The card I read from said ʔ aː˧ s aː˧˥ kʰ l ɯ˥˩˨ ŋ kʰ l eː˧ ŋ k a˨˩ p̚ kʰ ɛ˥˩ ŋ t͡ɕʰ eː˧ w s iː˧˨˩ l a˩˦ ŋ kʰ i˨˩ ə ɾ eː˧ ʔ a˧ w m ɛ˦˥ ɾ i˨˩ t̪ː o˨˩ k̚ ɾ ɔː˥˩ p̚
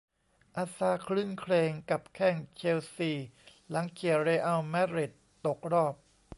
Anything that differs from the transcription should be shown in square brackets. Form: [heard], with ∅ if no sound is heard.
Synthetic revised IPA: ʔ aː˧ s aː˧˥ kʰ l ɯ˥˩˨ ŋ kʰ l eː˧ ŋ k a˨˩ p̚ kʰ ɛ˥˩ ŋ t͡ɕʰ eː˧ w s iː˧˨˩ l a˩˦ ŋ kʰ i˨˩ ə ɾ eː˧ ʔ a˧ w m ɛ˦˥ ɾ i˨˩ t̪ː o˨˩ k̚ ɾ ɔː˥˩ p̚